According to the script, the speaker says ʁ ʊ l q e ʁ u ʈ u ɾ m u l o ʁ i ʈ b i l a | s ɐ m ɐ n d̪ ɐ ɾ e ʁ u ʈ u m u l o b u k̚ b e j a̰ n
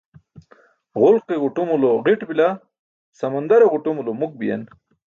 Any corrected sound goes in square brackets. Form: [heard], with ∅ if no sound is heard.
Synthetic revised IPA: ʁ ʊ l q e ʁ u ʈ u [∅] m u l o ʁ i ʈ b i l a | s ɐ m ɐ n d̪ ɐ ɾ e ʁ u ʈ u m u l o [m] u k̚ b [i] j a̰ n